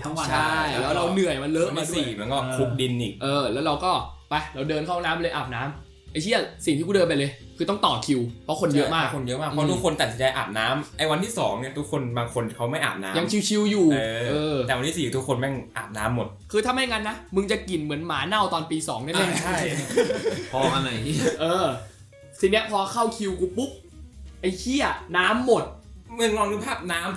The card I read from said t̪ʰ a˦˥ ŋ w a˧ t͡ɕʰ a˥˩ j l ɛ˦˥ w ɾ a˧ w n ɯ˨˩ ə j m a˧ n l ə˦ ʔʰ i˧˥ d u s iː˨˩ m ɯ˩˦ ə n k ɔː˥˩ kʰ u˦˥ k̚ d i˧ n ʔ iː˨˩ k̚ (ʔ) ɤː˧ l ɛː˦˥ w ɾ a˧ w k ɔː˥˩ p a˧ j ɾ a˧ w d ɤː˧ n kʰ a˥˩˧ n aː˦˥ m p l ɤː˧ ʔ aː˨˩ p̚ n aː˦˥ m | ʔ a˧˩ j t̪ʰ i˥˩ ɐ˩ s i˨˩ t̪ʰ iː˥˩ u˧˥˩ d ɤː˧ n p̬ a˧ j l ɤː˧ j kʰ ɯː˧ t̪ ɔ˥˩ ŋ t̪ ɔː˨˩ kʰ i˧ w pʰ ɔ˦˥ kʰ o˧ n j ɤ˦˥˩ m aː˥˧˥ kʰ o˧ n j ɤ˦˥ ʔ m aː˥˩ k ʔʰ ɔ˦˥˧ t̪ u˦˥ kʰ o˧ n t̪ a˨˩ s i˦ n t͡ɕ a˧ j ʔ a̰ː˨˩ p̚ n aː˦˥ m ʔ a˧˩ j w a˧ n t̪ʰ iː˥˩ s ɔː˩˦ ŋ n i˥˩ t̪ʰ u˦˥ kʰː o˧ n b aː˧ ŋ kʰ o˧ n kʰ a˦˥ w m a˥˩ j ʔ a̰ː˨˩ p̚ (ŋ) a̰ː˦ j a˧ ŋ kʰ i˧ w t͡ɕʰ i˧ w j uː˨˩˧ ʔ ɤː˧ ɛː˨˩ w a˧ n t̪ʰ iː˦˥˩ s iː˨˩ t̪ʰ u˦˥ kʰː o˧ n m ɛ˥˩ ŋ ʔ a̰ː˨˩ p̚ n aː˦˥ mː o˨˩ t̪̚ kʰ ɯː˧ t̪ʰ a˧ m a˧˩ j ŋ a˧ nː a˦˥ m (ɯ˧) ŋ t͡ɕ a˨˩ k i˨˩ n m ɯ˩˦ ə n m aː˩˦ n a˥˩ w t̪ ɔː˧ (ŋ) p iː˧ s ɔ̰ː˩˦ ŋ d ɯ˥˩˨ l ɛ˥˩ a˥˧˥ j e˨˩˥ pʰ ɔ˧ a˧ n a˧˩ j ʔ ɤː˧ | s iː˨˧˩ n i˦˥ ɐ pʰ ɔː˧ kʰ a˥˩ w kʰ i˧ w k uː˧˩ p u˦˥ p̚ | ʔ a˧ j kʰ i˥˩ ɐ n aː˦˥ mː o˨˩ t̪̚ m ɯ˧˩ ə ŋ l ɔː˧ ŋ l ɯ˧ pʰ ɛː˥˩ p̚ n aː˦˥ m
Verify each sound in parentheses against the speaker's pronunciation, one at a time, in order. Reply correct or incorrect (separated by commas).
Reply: correct, incorrect, correct, incorrect